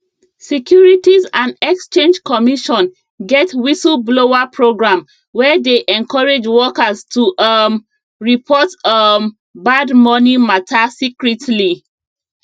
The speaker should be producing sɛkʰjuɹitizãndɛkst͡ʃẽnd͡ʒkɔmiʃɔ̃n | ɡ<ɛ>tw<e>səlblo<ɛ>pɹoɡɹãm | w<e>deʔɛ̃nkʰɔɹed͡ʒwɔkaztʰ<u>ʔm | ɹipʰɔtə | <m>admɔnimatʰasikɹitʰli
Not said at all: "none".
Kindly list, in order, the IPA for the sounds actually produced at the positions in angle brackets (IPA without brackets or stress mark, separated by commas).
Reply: ɛ, i, a, ɛ, u, b